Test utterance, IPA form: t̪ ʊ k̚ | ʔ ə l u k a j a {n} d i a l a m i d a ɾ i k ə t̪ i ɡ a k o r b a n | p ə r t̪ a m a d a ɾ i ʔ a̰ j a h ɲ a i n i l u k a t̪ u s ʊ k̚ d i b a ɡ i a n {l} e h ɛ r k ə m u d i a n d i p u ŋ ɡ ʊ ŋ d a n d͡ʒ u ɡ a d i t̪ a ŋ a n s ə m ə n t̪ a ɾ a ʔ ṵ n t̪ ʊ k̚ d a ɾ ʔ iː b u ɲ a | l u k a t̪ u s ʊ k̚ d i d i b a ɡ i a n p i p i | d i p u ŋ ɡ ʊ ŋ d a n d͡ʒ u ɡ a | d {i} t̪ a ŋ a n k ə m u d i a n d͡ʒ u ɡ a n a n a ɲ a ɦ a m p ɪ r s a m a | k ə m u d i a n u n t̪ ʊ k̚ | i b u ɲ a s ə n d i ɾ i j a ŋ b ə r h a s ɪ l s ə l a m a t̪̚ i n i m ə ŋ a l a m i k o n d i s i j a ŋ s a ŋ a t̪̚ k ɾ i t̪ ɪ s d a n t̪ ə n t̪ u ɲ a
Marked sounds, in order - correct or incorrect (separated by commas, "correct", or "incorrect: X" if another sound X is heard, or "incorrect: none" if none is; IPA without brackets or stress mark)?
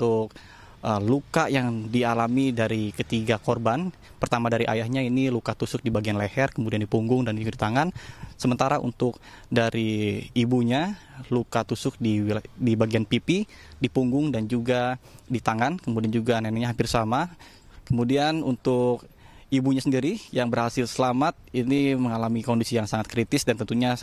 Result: incorrect: ŋ, correct, correct